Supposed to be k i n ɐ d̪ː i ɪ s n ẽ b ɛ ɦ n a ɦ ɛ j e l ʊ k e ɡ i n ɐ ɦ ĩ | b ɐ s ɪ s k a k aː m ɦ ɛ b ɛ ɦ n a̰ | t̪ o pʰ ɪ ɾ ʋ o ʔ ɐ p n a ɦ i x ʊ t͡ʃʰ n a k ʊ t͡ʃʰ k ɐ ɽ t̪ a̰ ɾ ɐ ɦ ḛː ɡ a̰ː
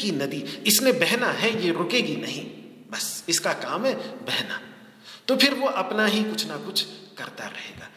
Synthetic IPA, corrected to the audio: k i n ɐ d̪ i ɪ s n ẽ b ɛ ɦ n a ɦ ɛ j e ɾ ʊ k e ɡ i n ɐ ɦ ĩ | b ɐ s ɪ s k a k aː m ɦ ɛ b ɛ ɦ n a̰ | t̪ o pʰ ɪ ɾ ʋ o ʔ ɐ p n a ɦ i k ʊ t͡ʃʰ n a k ʊ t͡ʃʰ k ɐ ɾ t̪ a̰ ɾ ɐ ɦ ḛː ɡ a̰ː